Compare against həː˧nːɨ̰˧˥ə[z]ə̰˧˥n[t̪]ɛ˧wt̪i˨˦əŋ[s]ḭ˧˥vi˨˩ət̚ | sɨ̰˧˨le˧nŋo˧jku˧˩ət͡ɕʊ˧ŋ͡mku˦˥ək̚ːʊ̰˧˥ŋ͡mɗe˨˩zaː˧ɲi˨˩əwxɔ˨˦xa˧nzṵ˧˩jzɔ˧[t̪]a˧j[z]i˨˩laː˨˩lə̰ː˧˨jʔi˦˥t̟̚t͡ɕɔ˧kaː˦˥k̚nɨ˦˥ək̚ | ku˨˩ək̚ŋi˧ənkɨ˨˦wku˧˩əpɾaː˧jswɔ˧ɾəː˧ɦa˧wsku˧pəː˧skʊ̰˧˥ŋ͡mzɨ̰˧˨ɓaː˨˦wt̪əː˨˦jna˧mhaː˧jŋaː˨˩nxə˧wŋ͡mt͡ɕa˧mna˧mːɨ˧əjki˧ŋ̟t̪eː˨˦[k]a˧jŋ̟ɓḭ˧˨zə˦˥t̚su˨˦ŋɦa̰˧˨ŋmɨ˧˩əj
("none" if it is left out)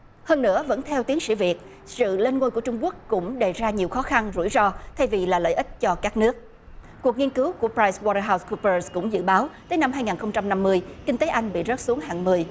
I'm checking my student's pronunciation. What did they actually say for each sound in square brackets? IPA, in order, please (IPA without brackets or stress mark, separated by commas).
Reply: v, t̪ʰ, s, t̪ʰ, v, ʔ